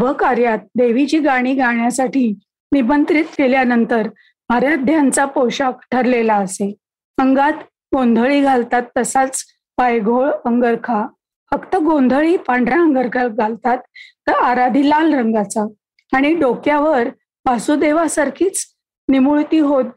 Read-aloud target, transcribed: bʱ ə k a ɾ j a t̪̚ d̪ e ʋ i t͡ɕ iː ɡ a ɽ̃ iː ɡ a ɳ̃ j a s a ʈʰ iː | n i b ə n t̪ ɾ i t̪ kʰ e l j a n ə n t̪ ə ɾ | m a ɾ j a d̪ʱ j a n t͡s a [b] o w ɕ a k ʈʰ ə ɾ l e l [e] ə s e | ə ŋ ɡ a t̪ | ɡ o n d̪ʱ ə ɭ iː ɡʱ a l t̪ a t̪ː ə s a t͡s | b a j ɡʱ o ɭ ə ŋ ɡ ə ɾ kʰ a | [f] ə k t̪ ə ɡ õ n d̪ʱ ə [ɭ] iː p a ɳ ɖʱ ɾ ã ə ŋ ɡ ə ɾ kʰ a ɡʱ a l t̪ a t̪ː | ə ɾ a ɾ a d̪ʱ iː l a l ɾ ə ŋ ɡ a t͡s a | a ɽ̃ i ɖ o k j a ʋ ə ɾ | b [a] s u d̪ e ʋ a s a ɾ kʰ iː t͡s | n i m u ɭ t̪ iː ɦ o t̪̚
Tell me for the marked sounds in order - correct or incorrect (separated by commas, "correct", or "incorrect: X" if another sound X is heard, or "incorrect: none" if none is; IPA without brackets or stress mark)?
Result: incorrect: p, incorrect: a, correct, correct, correct